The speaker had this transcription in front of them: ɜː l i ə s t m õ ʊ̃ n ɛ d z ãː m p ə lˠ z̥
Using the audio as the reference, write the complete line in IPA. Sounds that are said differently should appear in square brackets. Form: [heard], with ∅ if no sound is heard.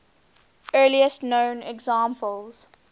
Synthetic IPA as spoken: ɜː l i ə s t [n] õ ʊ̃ n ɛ [ɡ] z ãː m p ə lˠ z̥